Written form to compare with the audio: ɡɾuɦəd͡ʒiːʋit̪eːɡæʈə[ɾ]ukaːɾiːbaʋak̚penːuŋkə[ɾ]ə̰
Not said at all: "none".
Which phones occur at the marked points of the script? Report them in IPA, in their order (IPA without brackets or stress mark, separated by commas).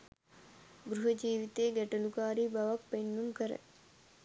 l, ɾ